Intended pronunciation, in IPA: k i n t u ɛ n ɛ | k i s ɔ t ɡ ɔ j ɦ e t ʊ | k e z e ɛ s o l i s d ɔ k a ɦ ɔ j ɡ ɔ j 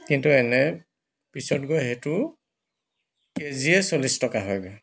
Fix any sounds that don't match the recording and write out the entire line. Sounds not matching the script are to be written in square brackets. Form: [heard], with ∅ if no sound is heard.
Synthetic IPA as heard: k i n t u ɛ n ɛ | [p] i s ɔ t ɡ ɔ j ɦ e t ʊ | k e z [i] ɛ s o l i s [t] ɔ k a ɦ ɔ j ɡ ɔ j